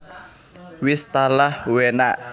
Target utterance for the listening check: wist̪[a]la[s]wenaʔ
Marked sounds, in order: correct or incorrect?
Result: correct, incorrect: h

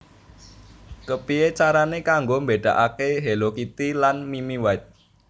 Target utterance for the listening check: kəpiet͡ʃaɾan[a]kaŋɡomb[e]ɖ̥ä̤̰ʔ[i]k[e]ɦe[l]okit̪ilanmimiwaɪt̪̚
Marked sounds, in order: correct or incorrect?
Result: incorrect: e, correct, incorrect: a, correct, correct

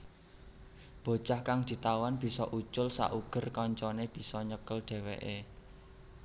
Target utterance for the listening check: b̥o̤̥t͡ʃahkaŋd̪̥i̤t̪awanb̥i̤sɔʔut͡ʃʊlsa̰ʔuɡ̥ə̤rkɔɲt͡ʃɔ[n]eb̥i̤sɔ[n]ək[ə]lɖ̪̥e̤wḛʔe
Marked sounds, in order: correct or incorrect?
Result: correct, incorrect: ɲ, correct

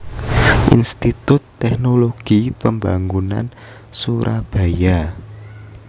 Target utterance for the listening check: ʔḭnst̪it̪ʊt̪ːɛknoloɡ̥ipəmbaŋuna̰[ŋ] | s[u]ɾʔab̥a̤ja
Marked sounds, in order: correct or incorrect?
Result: incorrect: n, correct

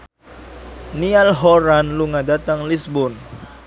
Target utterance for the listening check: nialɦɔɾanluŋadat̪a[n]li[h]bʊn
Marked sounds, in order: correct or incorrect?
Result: incorrect: ŋ, incorrect: s

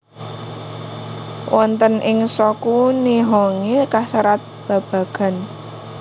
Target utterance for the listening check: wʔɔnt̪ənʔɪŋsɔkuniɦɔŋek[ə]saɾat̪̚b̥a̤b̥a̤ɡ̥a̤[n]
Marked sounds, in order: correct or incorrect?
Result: incorrect: a, correct

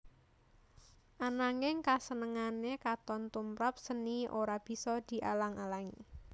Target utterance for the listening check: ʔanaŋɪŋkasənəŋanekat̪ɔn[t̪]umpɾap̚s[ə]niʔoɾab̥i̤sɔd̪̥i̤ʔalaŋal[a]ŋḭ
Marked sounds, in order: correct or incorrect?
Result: correct, correct, correct

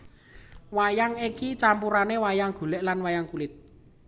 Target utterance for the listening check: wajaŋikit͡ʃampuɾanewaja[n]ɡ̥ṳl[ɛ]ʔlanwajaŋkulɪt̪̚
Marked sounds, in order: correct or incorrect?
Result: incorrect: ŋ, correct

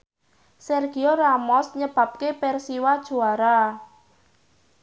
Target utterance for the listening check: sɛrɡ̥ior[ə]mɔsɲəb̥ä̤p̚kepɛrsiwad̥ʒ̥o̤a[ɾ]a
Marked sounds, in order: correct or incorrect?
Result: incorrect: a, correct

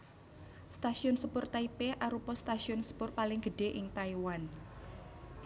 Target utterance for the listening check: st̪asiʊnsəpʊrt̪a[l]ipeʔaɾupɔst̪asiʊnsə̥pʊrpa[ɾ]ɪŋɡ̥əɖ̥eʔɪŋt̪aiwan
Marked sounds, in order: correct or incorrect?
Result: incorrect: none, incorrect: l

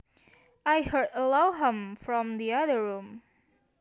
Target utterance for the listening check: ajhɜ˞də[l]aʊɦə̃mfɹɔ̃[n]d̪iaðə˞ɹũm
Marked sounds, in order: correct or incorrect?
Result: correct, incorrect: m

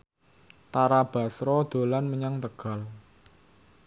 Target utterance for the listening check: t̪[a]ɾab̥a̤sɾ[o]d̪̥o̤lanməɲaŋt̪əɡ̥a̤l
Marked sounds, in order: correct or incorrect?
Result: correct, incorrect: ɔ

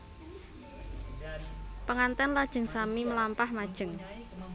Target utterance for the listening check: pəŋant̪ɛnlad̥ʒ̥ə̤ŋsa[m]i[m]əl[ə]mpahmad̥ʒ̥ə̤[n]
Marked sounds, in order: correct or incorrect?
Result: correct, correct, incorrect: a, incorrect: ŋ

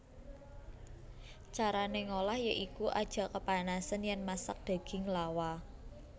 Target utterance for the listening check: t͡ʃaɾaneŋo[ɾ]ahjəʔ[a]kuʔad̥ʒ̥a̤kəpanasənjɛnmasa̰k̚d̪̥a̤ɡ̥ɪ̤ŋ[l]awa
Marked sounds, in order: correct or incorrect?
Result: incorrect: l, incorrect: i, correct

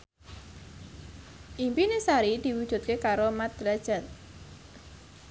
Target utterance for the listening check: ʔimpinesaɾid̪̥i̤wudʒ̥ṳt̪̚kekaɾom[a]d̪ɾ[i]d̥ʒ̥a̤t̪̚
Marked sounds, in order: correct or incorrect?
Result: correct, incorrect: a

